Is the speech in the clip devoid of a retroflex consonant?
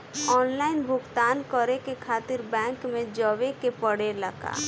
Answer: no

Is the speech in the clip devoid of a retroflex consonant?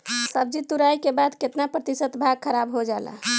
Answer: yes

